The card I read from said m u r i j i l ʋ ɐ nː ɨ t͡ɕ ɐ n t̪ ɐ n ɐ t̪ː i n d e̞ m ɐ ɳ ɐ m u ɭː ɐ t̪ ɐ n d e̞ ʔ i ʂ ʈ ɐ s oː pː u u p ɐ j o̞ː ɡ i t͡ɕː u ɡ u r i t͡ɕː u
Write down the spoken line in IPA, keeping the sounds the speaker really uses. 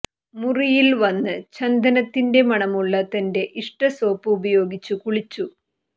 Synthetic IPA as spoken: m u r i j i l ʋ ɐ nː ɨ t͡ɕ ɐ n d̪ ɐ n ɐ t̪ː i n d e̞ m ɐ ɳ ɐ m u ɭː ɐ t̪ ɐ n d e̞ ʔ i ʂ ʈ ɐ s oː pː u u b ɐ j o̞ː ɡ i t͡ɕː u k u ɭ i t͡ɕː u